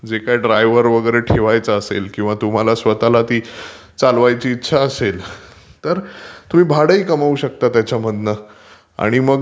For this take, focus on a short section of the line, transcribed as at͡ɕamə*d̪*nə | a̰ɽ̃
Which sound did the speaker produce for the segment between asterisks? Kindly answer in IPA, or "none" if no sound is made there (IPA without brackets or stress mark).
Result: d̪